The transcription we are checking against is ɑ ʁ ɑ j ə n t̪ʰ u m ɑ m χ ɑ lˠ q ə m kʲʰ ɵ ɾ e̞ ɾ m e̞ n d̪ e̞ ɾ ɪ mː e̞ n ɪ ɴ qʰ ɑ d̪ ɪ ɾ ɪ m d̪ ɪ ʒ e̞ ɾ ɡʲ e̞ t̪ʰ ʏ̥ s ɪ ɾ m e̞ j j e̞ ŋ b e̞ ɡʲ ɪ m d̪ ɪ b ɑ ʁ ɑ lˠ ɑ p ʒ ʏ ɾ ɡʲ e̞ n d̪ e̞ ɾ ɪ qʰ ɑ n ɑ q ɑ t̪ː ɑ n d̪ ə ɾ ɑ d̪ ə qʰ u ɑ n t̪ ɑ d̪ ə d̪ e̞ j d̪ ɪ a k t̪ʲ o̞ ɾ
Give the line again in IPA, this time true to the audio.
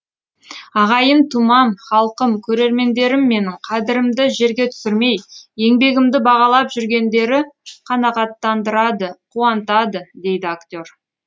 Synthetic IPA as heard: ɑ ʁ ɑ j ə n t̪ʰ u m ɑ m χ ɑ lˠ q ə m kʲʰ ɵ ɾ e̞ ɾ m e̞ n d̪ e̞ ɾ ɪ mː e̞ n ɪ ɴ qʰ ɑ d̪ ɪ ɾ ɪ m d̪ ɪ ʒ e̞ ɾ ɡʲ e̞ t̪ʰ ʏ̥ s ɪ ɾ m e̞ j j e̞ ŋ b e̞ ɡʲ ɪ m d̪ ɪ b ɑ ʁ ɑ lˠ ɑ p ʒ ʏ ɾ ɡʲ e̞ n d̪ e̞ ɾ ɪ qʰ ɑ n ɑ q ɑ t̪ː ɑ n d̪ ə ɾ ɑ d̪ ə qʰ u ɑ n t̪ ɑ d̪ ə d̪ e̞ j d̪ ɪ a k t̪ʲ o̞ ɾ